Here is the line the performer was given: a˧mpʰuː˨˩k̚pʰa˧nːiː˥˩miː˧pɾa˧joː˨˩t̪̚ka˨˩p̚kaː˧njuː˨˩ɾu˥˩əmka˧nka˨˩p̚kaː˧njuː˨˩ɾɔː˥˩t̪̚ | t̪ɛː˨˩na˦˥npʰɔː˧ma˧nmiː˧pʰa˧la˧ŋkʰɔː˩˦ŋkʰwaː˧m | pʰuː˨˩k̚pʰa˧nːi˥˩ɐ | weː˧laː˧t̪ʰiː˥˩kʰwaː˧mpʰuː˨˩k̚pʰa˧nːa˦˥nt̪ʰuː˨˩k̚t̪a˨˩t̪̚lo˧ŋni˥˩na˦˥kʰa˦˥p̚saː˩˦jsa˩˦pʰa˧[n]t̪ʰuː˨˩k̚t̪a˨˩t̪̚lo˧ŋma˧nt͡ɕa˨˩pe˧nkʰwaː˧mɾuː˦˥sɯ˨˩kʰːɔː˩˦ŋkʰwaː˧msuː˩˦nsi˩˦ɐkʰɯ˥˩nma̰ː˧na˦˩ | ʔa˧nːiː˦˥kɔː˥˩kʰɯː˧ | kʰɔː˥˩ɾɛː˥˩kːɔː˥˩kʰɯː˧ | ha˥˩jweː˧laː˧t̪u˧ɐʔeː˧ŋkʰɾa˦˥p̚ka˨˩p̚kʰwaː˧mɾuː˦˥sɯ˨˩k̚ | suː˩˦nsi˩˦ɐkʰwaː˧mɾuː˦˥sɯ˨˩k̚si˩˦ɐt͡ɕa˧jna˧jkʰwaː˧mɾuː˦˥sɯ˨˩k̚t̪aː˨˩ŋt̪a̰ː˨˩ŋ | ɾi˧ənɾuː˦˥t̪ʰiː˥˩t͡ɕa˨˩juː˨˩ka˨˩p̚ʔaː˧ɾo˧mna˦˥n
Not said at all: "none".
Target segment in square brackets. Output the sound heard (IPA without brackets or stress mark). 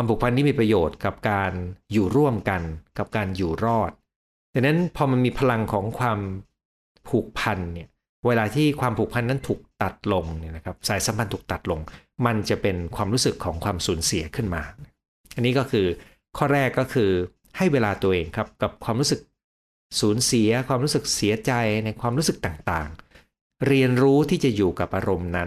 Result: n